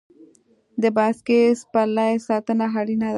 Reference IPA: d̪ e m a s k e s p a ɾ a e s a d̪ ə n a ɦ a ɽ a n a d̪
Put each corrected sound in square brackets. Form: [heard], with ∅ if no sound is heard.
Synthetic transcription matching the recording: d̪ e [b] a s k e s p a [l] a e s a [t̪] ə n a ɦ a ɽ [i] n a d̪